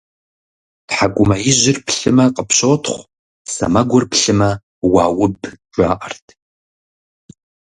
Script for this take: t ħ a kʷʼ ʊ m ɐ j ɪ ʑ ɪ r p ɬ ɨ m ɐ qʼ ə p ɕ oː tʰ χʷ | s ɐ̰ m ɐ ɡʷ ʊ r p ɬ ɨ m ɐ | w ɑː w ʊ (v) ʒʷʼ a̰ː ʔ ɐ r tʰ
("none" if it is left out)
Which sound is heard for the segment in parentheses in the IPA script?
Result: b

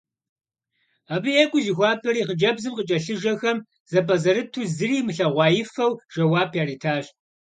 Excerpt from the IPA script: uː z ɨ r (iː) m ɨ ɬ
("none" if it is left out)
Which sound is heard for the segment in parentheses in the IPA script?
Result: iː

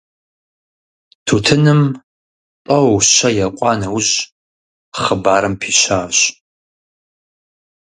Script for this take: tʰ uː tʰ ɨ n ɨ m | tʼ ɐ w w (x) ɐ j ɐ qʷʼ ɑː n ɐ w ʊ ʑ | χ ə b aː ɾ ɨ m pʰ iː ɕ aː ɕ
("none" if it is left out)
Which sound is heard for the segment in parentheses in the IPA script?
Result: ɕ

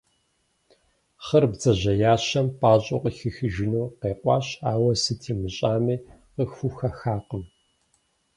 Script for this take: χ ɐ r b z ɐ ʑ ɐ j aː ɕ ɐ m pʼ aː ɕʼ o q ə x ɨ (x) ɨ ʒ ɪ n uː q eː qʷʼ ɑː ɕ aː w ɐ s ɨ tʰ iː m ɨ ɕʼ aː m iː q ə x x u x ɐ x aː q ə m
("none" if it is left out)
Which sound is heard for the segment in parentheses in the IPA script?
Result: x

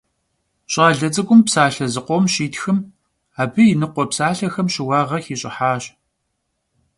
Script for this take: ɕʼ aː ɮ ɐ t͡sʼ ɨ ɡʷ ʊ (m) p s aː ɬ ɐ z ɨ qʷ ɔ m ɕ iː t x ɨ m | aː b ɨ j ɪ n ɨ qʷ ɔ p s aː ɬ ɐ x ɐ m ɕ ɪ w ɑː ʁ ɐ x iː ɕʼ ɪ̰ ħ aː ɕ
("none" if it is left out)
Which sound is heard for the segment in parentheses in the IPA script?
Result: m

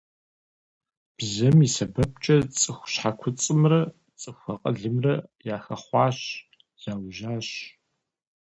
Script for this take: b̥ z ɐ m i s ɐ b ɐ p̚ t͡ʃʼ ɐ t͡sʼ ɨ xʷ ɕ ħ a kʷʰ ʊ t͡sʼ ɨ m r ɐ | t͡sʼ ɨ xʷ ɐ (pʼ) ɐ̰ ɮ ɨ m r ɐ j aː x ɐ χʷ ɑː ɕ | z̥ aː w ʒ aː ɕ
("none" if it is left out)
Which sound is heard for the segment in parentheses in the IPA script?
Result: qʼ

